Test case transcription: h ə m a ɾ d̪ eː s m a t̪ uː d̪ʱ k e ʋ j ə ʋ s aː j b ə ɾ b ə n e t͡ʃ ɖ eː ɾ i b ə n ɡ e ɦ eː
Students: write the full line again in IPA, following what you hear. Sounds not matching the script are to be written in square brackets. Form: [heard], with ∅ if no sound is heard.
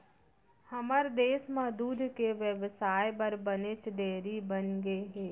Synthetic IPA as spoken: h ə m [ə] ɾ d̪ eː s m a [d̪] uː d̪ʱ k e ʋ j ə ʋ s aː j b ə ɾ b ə n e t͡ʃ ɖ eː ɾ i b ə n ɡ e ɦ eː